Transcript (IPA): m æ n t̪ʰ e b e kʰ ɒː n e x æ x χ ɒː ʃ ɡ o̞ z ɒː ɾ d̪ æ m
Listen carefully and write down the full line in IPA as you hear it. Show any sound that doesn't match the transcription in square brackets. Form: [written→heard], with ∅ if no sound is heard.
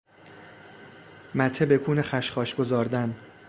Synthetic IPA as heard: m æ [n→∅] t̪ʰ e b e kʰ [ɒː→uː] n e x æ [x→ʃ] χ ɒː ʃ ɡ o̞ z ɒː ɾ d̪ æ [m→n]

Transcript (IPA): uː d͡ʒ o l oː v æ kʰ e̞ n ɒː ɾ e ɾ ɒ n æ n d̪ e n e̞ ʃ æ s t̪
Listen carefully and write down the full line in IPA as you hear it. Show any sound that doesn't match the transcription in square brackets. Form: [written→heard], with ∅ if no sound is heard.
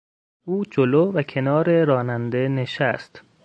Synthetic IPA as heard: uː d͡ʒ o l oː v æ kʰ e̞ n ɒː ɾ e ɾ [ɒ→ɒː] n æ n d̪ e n e̞ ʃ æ s t̪

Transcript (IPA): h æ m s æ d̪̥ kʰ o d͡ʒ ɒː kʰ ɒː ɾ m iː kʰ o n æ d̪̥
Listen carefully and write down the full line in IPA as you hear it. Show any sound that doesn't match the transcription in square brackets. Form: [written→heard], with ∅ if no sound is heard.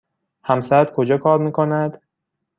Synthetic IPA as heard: h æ m s æ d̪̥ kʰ o d͡ʒ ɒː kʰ ɒː ɾ m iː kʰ o n æ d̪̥

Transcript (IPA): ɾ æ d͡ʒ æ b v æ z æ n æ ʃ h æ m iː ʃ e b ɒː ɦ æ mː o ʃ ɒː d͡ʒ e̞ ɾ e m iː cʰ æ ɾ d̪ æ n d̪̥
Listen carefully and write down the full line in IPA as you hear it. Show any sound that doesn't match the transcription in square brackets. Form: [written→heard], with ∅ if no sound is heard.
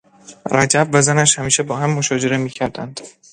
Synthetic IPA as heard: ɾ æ d͡ʒ æ b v æ z æ n æ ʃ h æ m iː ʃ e b ɒː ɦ æ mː o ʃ ɒː d͡ʒ e̞ ɾ e m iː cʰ æ ɾ d̪ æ n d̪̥

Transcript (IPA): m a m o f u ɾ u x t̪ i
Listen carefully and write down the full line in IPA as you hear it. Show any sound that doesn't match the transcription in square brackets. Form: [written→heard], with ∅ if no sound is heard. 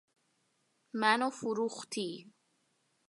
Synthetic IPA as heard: m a [m→n] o f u ɾ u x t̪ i

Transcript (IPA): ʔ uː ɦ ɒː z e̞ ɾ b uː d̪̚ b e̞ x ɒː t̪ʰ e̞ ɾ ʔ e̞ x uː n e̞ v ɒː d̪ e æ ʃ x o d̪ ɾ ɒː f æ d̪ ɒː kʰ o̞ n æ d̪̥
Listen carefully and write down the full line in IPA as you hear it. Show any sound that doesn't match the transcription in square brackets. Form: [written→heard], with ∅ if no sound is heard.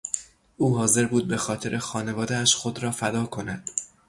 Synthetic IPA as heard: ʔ uː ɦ ɒː z e̞ ɾ b uː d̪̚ b e̞ x ɒː t̪ʰ e̞ ɾ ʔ e̞ x [uː→ɒː] n e̞ v ɒː d̪ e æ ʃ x o d̪ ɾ ɒː f æ d̪ ɒː kʰ o̞ n æ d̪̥

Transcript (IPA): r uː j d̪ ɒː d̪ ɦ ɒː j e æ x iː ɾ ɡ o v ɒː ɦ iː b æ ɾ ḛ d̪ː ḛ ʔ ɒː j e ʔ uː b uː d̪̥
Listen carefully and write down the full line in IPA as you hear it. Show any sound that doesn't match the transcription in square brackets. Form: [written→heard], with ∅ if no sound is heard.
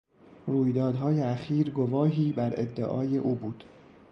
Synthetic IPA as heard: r uː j d̪ ɒː d̪ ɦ ɒː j e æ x iː ɾ ɡ o v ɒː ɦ iː b æ ɾ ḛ d̪ː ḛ ʔ ɒː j e ʔ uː b uː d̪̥

